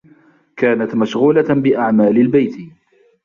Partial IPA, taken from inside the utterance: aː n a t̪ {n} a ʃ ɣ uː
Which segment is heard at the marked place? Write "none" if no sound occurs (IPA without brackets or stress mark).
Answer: m